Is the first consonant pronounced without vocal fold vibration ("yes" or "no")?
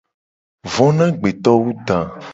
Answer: no